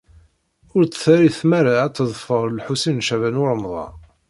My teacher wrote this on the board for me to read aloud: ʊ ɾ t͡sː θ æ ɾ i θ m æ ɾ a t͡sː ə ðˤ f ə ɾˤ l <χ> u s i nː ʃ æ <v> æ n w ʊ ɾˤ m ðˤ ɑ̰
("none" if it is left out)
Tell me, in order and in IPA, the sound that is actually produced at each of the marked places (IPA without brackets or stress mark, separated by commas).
ħ, v